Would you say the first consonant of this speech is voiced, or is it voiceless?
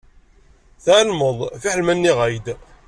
voiceless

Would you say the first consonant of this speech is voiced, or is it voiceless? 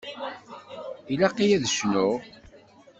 voiced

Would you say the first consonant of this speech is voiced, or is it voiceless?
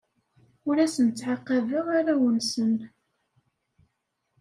voiced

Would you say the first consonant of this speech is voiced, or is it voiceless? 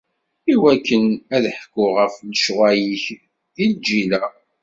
voiced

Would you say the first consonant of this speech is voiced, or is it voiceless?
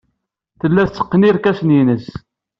voiceless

